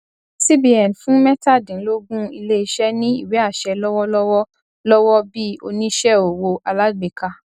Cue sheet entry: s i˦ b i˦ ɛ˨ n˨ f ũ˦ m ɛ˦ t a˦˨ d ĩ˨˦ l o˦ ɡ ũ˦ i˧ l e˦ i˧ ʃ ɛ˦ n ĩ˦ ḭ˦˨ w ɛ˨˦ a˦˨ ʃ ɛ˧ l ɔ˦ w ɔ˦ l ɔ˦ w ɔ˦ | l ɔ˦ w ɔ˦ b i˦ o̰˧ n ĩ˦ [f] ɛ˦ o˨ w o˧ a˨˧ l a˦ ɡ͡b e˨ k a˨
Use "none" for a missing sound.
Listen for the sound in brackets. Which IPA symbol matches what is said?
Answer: ʃ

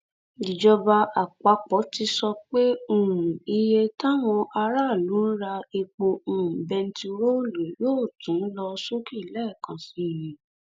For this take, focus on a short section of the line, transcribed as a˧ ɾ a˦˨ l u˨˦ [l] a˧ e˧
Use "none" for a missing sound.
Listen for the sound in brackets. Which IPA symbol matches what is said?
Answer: ɾ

